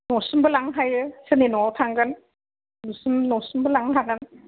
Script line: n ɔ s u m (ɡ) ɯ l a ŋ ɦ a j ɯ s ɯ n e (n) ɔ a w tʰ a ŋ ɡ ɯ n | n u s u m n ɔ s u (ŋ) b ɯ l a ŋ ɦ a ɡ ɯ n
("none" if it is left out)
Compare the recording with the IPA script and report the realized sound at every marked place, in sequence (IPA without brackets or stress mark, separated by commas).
b, n, m